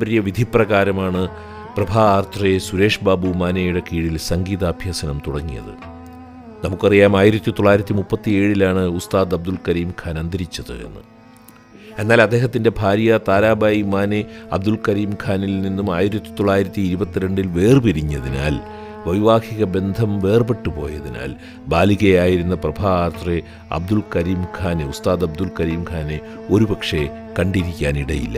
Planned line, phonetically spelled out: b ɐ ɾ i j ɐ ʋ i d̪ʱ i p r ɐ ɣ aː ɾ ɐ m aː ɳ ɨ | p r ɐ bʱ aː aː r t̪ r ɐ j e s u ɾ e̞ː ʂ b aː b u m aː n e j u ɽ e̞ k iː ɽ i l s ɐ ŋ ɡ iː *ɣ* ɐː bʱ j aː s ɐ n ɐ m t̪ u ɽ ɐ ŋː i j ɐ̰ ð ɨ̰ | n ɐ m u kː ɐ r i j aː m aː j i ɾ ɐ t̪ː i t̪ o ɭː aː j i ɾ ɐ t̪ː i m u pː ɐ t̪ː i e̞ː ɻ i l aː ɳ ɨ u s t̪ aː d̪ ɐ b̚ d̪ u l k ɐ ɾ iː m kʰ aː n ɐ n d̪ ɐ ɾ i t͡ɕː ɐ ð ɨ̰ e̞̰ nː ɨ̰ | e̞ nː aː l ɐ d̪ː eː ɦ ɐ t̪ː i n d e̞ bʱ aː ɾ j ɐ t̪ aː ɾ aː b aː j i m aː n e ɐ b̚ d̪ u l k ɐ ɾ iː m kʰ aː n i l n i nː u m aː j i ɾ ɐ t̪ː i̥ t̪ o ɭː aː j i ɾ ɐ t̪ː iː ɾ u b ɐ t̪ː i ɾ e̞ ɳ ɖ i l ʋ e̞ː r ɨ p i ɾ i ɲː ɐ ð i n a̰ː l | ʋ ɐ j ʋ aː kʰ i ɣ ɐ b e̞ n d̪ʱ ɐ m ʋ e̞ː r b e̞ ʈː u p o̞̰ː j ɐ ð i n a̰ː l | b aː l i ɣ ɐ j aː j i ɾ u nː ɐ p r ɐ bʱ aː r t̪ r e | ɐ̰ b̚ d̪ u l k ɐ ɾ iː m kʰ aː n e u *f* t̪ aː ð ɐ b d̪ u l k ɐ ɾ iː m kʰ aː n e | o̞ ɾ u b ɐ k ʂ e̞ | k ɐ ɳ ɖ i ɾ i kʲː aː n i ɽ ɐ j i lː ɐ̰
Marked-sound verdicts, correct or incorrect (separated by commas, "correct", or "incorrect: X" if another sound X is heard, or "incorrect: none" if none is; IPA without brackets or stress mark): incorrect: ð, incorrect: s